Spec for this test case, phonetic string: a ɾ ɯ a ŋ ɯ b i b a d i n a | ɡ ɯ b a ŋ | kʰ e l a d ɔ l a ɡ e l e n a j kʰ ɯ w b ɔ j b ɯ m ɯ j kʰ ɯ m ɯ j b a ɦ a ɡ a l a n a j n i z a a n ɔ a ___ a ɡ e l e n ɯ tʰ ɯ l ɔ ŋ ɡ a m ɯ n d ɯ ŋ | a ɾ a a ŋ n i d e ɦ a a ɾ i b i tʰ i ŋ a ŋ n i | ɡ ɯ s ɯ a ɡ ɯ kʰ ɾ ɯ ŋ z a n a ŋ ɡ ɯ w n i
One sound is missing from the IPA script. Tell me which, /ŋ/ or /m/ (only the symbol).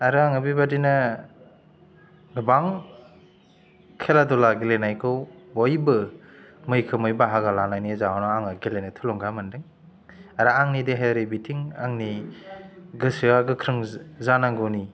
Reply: ŋ